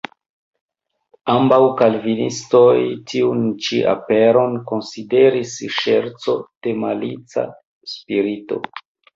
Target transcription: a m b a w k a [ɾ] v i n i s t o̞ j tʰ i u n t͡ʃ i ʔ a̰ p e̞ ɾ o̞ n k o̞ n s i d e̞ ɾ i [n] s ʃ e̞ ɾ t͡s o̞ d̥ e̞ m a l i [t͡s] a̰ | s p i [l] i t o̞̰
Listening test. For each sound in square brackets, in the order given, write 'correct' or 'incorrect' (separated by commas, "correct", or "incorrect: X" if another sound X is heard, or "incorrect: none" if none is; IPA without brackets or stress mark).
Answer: incorrect: l, incorrect: none, correct, incorrect: ɾ